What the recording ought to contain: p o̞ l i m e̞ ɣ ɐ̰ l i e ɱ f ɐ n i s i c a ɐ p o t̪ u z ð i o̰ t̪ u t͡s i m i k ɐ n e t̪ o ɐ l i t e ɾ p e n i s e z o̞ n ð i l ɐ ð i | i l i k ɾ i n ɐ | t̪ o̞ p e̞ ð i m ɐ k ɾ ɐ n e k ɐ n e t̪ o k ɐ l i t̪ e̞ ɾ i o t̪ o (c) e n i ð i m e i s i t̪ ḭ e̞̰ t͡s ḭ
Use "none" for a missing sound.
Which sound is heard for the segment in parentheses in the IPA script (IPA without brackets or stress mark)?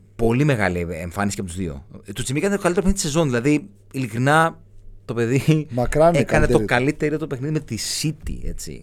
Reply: p